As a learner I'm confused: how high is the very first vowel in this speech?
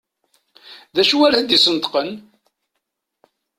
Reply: low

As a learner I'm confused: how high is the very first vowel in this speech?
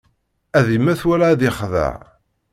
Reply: low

